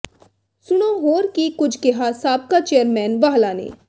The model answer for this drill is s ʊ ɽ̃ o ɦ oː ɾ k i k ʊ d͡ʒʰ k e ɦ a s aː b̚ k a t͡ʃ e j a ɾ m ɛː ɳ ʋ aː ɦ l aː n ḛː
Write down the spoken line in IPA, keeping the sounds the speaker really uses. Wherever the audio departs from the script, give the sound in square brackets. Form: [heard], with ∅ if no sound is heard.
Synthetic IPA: s ʊ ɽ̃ o ɦ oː ɾ k i k ʊ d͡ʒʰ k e ɦ a s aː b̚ k a t͡ʃ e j [ə] ɾ m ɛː [n] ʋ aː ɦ l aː n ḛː